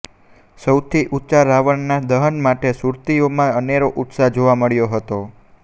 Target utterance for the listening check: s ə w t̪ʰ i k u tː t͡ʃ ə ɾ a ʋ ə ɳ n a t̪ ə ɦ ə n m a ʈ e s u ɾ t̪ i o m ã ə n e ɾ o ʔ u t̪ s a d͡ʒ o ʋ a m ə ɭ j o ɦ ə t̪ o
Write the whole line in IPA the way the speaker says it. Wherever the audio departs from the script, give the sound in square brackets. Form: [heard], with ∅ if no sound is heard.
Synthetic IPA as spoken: s ə w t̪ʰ i [ʔ] u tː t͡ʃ [a] ɾ a ʋ ə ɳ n a [d̪] ə ɦ ə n m a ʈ e s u ɾ t̪ i o m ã ə n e ɾ o ʔ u t̪ s a d͡ʒ o ʋ a m ə ɭ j o ɦ ə t̪ o